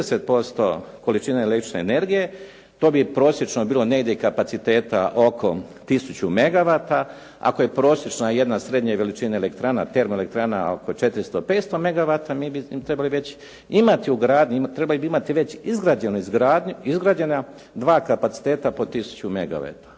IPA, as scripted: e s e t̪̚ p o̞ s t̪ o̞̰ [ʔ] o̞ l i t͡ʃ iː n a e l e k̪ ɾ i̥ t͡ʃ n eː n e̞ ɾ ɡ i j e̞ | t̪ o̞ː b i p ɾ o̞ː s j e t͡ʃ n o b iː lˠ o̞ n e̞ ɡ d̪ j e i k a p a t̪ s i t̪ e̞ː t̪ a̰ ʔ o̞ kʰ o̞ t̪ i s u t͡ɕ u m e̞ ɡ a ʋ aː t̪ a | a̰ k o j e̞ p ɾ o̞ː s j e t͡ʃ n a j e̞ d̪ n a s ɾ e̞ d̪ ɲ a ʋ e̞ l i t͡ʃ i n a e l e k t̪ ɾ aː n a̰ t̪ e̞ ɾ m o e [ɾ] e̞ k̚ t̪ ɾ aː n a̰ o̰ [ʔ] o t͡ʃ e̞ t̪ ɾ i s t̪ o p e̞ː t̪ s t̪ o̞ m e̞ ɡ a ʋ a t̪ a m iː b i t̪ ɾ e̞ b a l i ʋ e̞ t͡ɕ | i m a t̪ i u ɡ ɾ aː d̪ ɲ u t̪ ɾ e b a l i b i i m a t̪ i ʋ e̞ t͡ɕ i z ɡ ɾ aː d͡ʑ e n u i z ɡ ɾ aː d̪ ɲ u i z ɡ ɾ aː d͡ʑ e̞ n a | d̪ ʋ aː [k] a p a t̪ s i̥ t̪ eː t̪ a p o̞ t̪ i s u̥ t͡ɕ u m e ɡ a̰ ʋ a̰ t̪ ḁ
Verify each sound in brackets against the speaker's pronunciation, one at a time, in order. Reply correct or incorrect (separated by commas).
incorrect, incorrect, incorrect, correct